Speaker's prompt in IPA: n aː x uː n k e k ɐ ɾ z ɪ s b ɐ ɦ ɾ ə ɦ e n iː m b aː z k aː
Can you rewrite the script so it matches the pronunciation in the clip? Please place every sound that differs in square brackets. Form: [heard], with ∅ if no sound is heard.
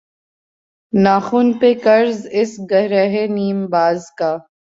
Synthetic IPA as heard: n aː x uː n [p] e k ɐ ɾ z ɪ s [ɡ] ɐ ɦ ɾ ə ɦ e n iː m b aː z k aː